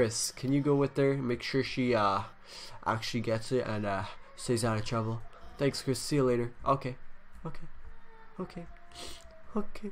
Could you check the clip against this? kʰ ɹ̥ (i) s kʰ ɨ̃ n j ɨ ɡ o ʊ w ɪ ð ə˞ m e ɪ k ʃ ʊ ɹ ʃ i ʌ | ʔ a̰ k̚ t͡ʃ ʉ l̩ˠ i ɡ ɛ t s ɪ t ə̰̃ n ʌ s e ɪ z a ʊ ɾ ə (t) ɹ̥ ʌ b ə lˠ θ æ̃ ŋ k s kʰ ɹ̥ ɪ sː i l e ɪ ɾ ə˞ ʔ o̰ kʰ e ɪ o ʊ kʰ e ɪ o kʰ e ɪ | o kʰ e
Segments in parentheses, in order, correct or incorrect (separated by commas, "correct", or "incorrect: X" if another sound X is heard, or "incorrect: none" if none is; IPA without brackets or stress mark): incorrect: ɪ, incorrect: tʰ